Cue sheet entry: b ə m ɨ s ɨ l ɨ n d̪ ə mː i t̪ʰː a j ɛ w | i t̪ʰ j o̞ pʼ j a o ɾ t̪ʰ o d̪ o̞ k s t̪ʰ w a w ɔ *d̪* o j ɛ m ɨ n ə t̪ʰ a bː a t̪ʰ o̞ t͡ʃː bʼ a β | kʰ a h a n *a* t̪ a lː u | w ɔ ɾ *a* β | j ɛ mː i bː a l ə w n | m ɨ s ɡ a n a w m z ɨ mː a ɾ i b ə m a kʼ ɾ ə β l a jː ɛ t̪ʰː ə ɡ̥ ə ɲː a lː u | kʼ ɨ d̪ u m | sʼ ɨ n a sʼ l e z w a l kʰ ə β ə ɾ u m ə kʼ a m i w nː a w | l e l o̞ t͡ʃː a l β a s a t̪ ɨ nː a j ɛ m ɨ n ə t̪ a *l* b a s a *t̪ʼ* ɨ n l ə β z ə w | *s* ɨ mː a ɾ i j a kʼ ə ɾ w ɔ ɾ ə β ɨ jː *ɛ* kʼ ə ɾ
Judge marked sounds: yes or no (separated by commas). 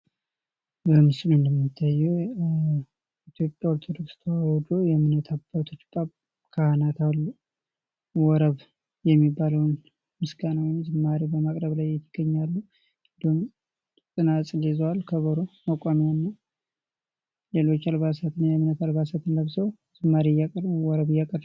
yes, yes, no, yes, no, no, no